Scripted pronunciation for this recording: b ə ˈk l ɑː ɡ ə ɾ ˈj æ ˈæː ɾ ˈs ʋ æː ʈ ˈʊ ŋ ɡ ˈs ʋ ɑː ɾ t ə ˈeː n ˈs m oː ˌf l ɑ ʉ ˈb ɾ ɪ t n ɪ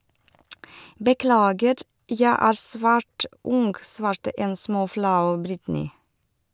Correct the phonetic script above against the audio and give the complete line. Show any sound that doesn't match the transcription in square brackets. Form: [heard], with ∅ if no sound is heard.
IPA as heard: b ə ˈk l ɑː ɡ ə ɾ ˈj æ ˈæː ɾ ˈs ʋ æː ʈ ˈʊ ŋ ɡ ˈs ʋ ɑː ɾ t ə ˈeː n ˈs m oː ˌf l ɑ ʉ ˈb ɾ ɪ t n ɪ